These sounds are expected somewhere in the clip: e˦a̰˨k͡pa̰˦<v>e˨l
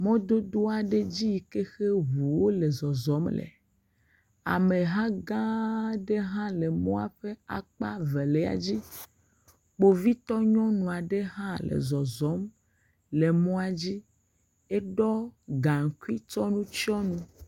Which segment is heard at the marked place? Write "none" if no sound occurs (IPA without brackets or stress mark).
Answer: v